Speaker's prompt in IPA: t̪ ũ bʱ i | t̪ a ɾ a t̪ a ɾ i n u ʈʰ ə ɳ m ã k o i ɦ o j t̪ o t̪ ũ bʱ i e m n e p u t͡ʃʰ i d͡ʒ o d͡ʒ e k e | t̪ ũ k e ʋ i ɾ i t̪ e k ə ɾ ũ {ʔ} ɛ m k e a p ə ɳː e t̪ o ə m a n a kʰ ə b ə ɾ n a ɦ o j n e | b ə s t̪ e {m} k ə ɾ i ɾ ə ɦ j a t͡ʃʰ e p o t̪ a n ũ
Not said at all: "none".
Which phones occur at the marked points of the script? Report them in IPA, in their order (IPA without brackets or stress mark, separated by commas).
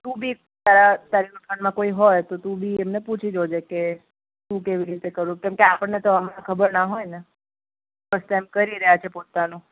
k, m